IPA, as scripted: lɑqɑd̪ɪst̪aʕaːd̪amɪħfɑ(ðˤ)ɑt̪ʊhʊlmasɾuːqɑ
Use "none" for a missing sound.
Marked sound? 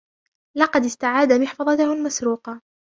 ðˤ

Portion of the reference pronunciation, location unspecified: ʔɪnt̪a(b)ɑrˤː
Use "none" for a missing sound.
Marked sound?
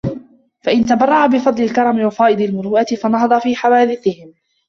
b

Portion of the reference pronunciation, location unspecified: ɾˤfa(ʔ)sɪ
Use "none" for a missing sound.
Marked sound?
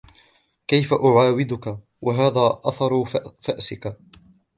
ʔ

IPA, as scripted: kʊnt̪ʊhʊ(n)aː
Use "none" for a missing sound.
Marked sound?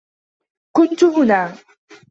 n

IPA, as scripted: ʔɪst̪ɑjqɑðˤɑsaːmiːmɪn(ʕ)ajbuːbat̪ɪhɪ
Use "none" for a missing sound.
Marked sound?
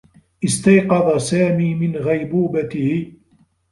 ɣ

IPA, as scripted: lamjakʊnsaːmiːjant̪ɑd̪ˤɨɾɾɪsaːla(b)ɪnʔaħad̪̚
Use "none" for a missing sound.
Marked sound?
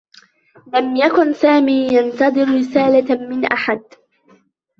m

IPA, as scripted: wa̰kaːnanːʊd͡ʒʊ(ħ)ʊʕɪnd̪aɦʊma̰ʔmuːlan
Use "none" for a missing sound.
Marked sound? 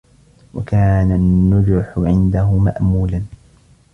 ħ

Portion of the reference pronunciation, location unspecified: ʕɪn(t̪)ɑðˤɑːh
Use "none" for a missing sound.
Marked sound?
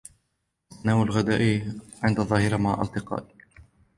d̪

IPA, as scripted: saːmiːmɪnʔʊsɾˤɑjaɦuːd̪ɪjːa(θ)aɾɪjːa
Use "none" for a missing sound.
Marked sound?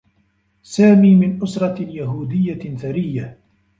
θ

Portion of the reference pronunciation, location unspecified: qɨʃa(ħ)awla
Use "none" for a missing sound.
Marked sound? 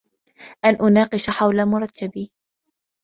ħ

